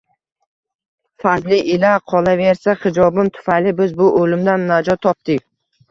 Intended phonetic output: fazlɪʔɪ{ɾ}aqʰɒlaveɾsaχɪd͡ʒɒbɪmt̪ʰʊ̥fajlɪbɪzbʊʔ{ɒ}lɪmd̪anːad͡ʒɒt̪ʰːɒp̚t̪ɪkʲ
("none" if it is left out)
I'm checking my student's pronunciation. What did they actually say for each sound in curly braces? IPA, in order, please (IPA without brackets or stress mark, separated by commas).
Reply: l, o